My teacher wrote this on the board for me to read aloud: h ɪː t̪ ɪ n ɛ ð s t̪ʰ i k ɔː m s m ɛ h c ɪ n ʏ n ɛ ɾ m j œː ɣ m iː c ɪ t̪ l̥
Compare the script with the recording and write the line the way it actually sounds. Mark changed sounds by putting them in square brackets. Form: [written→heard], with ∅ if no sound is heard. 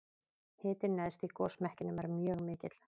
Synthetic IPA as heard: h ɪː t̪ ɪ n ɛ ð s [t̪ʰ→t̪] i k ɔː [m→∅] s m ɛ h c ɪ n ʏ [n→m] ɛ ɾ m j œː ɣ m [iː→ɪː] c ɪ t̪ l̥

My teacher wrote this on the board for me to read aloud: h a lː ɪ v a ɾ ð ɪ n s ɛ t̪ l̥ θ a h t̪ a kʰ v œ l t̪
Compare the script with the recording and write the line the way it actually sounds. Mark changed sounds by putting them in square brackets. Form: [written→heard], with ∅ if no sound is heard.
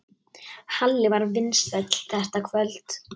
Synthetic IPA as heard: h a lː ɪ v a ɾ [ð→v] ɪ n s ɛ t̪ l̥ θ [a→ɛ] h t̪ a kʰ v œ l t̪

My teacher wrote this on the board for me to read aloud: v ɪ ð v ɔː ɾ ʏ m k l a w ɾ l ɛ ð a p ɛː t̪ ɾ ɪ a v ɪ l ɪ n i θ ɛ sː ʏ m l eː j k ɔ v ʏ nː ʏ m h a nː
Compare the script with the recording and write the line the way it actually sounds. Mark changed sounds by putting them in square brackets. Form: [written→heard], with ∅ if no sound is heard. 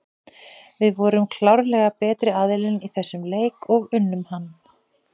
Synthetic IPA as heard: v ɪ ð v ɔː ɾ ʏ m [k→kʰ] l a w ɾ l ɛ [ð→ɣ] a p ɛː t̪ ɾ ɪ a [v→ð] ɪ l ɪ n i θ ɛ sː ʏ m l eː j k ɔ [v→ɣ] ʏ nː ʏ m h a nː

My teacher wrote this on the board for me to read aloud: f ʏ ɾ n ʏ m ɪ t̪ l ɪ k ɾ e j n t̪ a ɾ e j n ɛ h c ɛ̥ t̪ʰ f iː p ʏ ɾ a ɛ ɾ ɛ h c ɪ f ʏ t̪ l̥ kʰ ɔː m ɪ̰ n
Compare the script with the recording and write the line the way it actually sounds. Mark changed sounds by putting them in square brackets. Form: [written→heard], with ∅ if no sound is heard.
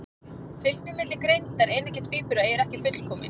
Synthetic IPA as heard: f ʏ [ɾ→l] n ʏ m ɪ t̪ l ɪ k ɾ e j n t̪ a ɾ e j n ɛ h c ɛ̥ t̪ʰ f iː p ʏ ɾ a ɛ ɾ ɛ h c ɪ f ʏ t̪ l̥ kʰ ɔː m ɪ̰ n

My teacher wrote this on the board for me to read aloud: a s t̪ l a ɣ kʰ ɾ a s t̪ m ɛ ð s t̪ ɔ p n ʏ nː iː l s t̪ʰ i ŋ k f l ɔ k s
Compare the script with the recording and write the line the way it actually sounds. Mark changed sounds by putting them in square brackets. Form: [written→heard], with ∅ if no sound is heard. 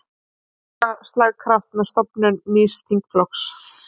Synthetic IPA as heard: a s t̪ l a ɣ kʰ ɾ a [s→f] t̪ m ɛ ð s t̪ ɔ p n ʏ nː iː [l→∅] s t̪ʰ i ŋ k f l ɔ k s

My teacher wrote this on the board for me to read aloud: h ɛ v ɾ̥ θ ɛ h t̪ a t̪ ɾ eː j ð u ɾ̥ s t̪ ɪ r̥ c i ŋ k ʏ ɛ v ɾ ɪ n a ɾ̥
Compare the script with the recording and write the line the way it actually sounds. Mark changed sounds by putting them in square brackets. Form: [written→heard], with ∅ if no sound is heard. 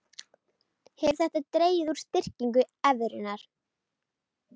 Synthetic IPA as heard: h ɛ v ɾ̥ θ ɛ h t̪ a t̪ ɾ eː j ð u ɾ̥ s t̪ ɪ r̥ c i ŋ k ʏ ɛ v ɾ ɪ n a ɾ̥

